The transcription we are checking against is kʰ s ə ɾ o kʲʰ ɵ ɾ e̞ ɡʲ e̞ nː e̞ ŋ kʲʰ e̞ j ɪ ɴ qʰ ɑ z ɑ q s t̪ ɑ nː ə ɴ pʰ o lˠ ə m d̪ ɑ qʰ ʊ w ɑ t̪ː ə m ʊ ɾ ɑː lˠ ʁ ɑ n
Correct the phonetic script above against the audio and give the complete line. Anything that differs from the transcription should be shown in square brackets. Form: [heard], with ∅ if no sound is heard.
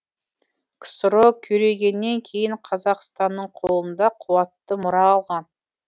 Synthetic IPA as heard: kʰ s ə ɾ o kʲʰ ɵ ɾ e̞ ɡʲ e̞ nː e̞ ŋ kʲʰ e̞ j ɪ ɴ qʰ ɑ z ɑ q s t̪ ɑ nː ə ɴ [qʰ] o lˠ ə [n] d̪ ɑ qʰ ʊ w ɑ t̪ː ə m ʊ ɾ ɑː lˠ ʁ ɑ n